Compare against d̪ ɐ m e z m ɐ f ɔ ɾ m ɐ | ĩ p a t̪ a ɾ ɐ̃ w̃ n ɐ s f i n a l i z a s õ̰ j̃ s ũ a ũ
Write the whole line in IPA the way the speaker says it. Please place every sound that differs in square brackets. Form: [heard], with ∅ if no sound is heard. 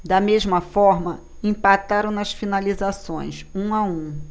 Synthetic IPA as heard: d̪ ɐ m e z m ɐ f ɔ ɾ m ɐ | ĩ p a t̪ a ɾ ɐ̃ w̃ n ɐ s f i n a l i z a s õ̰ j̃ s ũ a ũ